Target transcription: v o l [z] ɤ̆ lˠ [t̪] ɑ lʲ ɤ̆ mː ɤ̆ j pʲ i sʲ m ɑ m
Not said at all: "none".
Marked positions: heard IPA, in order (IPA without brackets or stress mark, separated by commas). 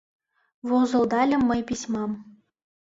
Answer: z, d̪